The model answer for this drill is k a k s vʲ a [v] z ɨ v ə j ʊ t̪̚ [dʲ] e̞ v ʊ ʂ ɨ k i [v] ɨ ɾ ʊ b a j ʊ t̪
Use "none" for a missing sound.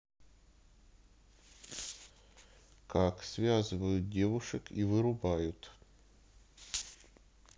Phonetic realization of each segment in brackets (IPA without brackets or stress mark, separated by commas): none, dʲ, v